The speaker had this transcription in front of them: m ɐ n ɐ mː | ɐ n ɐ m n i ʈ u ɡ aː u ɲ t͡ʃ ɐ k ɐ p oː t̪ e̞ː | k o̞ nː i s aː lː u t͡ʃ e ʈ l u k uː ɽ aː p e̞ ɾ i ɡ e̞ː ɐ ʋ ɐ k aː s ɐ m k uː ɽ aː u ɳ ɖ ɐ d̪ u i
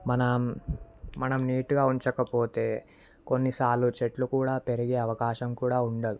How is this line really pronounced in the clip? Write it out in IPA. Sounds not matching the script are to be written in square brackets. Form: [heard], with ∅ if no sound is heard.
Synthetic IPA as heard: m ɐ n ɐ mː | ɐ n ɐ m n [iː] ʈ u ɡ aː u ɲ t͡ʃ ɐ k ɐ p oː t̪ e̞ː | k o̞ nː i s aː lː u t͡ʃ e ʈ l u k uː ɽ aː p e̞ ɾ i ɡ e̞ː ɐ ʋ ɐ k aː [ʃ] ɐ m k uː ɽ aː u ɳ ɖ ɐ d̪ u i

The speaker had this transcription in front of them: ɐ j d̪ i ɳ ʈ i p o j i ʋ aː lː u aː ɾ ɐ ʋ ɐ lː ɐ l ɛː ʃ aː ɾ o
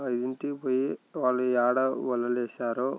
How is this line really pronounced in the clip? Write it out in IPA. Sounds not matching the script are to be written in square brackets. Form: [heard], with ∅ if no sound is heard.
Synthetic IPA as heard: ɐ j d̪ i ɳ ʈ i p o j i ʋ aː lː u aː [ɽ] ɐ ʋ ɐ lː ɐ l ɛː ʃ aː ɾ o

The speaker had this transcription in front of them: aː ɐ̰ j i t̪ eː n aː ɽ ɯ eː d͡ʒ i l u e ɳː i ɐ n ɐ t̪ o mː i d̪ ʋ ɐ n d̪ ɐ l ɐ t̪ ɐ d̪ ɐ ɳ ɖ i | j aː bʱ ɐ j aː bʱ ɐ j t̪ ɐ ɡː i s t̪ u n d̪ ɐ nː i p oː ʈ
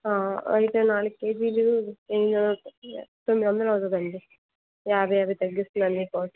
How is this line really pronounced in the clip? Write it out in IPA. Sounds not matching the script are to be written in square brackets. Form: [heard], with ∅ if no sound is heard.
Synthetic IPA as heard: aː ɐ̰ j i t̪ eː n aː [l] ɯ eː d͡ʒ i l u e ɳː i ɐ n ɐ t̪ o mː i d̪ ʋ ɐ n d̪ ɐ l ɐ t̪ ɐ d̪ ɐ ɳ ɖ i | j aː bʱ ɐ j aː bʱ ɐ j t̪ ɐ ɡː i s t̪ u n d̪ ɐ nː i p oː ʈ

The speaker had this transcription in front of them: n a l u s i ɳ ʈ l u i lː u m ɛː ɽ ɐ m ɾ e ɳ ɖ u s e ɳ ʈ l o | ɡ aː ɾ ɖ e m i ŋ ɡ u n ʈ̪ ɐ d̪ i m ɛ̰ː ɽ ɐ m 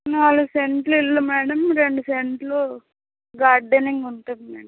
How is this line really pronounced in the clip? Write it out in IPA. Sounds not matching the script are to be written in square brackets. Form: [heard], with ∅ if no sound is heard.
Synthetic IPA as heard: n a l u s [e] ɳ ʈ l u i lː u m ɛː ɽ ɐ m ɾ e ɳ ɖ u s e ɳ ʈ l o | ɡ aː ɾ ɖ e [n] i ŋ ɡ u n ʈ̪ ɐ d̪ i m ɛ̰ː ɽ ɐ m

